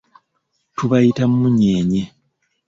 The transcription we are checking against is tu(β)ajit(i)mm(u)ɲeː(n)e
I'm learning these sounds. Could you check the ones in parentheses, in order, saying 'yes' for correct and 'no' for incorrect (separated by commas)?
yes, no, yes, no